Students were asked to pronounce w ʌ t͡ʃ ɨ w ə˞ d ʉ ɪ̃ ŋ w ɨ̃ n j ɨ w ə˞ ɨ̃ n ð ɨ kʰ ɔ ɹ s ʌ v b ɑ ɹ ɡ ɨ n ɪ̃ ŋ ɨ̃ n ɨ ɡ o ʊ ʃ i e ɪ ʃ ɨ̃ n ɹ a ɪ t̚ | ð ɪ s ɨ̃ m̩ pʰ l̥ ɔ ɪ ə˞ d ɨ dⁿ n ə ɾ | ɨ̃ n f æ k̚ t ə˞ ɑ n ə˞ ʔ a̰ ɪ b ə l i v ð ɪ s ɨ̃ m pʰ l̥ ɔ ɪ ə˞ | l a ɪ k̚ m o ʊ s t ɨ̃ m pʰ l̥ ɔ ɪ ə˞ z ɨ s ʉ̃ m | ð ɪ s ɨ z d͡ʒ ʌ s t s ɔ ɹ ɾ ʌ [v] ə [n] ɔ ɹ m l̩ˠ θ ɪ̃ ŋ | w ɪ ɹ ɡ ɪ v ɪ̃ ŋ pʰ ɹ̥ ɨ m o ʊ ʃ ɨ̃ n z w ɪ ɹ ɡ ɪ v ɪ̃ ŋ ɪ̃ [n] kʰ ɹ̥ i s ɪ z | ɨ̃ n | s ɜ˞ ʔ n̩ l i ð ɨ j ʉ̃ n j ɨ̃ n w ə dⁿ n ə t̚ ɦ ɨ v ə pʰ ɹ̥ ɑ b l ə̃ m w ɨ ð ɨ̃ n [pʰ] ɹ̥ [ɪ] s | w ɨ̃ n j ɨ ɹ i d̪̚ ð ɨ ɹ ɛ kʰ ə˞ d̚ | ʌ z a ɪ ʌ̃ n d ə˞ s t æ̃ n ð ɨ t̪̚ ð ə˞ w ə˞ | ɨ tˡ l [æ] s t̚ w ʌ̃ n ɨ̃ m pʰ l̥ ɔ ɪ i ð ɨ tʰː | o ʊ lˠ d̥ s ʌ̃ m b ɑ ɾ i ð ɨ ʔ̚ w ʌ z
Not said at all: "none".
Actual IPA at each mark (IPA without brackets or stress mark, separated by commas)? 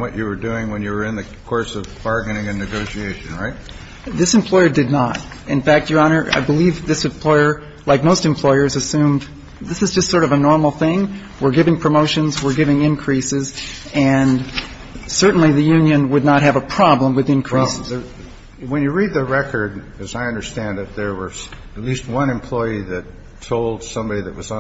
v, n, n, kʰ, i, i